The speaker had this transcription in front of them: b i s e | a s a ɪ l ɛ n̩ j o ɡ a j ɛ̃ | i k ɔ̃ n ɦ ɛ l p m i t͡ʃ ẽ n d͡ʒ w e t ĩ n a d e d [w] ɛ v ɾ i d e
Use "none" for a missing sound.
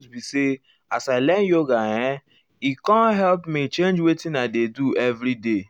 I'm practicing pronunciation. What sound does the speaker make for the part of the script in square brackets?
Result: u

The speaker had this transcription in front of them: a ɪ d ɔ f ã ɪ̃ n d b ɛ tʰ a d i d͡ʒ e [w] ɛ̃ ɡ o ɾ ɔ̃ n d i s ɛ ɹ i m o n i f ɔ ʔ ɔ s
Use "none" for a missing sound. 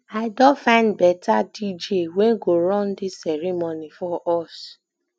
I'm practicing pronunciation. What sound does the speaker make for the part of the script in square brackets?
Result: w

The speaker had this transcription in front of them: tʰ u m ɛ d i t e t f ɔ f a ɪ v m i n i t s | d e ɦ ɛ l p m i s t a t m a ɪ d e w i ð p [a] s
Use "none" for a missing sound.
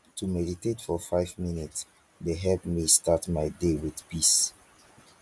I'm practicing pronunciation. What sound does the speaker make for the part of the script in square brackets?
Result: i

